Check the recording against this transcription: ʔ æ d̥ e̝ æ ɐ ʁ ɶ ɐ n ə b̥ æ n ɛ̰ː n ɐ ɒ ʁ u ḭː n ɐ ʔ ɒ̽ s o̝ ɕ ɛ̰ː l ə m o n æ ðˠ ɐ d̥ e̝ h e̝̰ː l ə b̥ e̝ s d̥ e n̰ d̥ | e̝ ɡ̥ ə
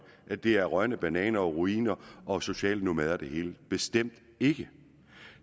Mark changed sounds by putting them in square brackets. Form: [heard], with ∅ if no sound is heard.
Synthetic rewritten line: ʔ æ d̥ e̝ æ ɐ ʁ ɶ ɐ n ə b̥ æ n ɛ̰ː n ɐ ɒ ʁ u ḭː n ɐ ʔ ɒ̽ s o̝ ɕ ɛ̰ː l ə [n] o [m] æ ðˠ ɐ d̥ e̝ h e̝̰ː l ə b̥ e̝ s d̥ e [m̰] d̥ | e̝ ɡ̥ ə